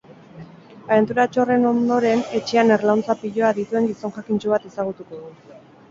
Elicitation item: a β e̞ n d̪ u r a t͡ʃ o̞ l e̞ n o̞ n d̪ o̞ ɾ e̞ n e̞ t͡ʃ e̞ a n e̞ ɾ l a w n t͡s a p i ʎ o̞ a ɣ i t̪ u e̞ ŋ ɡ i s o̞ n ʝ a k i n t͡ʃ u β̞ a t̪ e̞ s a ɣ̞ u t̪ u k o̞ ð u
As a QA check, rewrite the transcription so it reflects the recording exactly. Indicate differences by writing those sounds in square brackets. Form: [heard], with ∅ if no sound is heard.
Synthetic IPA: a β e̞ n [t̪] u [ɾ] a t͡ʃ o̞ [r] e̞ n o̞ n d̪ o̞ ɾ e̞ n e̞ t͡ʃ e̞ a n e̞ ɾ l a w n t͡s a p i ʎ o̞ a [ð] i t̪ u e̞ ŋ ɡ i s o̞ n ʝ a k i n t͡ʃ u β̞ a t̪ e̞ s a ɣ̞ u t̪ u k o̞ ð u